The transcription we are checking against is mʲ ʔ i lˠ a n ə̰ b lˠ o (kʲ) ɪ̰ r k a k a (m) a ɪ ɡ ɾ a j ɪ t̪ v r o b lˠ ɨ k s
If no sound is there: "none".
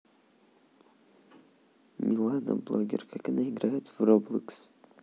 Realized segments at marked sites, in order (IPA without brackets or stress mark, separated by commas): ɡʲ, n